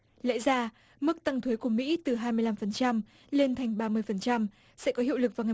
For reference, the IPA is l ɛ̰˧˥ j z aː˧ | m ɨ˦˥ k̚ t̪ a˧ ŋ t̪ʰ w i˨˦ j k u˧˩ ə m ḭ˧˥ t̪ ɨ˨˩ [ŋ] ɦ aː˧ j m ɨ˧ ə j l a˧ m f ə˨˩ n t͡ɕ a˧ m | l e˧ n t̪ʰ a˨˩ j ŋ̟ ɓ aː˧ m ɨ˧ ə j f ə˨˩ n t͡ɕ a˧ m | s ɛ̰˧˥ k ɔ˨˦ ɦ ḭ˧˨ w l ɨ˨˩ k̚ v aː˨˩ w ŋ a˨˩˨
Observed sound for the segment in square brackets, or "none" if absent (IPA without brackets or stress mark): none